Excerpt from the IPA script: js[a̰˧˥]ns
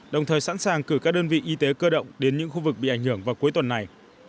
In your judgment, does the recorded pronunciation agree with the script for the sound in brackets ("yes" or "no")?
yes